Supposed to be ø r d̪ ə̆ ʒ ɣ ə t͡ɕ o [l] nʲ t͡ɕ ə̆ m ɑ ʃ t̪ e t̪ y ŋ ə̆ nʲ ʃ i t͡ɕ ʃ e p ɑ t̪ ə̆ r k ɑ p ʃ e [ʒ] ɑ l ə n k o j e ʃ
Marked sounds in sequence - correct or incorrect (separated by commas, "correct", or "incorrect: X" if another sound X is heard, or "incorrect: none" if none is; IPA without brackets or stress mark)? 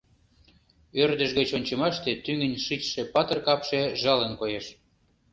incorrect: none, correct